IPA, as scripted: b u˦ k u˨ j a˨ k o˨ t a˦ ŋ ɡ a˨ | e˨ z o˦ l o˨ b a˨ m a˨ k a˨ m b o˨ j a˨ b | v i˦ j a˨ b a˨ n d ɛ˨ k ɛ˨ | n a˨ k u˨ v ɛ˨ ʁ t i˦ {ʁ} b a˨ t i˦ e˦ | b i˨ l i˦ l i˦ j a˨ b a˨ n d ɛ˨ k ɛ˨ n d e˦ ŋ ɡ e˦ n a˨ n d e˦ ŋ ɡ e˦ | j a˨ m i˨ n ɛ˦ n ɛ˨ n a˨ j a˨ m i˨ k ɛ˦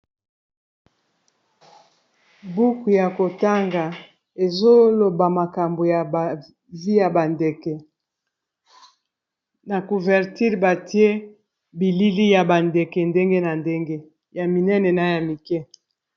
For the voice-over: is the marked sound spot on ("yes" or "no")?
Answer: yes